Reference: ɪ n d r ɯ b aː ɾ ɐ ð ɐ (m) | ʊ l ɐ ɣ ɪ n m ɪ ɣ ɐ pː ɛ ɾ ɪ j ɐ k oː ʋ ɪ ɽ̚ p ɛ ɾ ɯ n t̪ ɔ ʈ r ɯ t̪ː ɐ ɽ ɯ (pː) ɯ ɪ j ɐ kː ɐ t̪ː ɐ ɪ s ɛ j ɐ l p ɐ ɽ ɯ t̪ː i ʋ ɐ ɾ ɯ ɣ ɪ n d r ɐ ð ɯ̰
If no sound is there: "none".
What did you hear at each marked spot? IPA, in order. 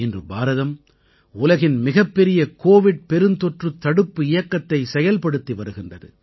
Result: m, pː

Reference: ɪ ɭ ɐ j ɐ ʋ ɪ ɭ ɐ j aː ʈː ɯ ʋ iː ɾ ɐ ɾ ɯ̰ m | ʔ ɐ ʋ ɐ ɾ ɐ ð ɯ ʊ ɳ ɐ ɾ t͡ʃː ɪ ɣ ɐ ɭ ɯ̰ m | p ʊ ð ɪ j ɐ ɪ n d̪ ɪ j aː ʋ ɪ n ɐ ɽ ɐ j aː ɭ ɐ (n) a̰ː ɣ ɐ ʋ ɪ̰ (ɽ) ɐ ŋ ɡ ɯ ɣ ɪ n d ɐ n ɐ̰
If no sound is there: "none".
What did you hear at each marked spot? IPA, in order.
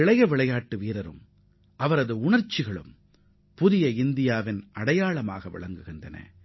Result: m, ɭ

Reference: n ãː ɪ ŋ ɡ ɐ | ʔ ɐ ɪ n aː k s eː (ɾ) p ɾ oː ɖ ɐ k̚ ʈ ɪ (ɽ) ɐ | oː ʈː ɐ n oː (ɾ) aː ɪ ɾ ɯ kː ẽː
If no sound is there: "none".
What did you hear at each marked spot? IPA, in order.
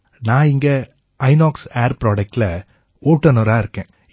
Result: ɾ, l, ɾ

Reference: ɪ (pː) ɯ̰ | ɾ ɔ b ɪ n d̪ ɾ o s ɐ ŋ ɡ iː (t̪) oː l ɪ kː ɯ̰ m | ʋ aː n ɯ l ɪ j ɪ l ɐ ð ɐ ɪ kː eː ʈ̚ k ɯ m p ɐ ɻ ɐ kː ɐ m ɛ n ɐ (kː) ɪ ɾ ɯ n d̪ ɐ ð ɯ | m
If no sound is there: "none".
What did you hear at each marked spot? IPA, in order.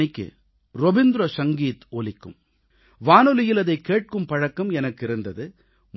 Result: kː, t̪, kː

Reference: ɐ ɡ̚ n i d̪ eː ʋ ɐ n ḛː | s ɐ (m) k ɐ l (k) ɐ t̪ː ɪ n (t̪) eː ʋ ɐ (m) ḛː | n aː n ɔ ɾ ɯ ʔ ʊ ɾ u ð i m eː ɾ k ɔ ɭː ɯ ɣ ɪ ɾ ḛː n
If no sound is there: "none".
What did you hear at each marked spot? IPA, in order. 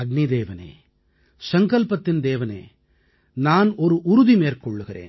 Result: ŋ, p, d̪, n

